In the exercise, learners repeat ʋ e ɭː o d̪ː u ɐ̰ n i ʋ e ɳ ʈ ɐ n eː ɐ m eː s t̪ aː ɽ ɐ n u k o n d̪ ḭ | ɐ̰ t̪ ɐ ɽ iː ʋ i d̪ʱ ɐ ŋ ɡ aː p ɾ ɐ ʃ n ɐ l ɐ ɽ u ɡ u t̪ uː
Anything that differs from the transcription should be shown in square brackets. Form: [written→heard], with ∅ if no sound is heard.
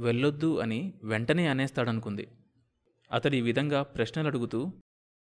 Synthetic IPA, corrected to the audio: ʋ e ɭː o d̪ː u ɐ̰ n i ʋ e ɳ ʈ ɐ n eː ɐ [m→n] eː s t̪ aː ɽ ɐ n u k [o→u] n d̪ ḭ | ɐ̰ t̪ ɐ ɽ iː ʋ i d̪ʱ ɐ ŋ ɡ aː p ɾ ɐ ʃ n ɐ l ɐ ɽ u ɡ u t̪ uː